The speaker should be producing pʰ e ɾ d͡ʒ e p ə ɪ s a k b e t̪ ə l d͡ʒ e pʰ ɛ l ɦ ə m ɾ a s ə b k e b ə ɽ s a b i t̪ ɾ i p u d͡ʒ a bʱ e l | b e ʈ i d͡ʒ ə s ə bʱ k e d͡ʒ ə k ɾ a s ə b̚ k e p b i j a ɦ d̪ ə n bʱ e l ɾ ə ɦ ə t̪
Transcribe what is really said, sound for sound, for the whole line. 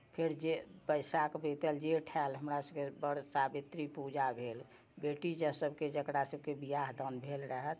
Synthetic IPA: pʰ e ɾ d͡ʒ e p ə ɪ s a k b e t̪ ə l d͡ʒ e ʈʰ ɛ l ɦ ə m ɾ a s ə b k e b ə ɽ s a b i t̪ ɾ i p u d͡ʒ a bʱ e l | b e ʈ i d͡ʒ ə s ə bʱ k e d͡ʒ ə k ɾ a s ə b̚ k e b i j a ɦ d̪ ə n bʱ e l ɾ ə ɦ ə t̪